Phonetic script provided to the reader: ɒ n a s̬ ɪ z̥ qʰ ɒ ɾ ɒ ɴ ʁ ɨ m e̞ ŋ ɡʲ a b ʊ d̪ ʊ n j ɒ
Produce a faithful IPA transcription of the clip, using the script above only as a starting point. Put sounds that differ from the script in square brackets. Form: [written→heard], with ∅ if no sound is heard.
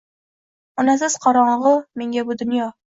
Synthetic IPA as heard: ɒ n a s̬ ɪ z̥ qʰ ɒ ɾ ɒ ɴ ʁ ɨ m e̞ ŋ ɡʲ a b ʊ d̪ ʊ n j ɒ